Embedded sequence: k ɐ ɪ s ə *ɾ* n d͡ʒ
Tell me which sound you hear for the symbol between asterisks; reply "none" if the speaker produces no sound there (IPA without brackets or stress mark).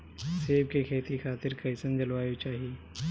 none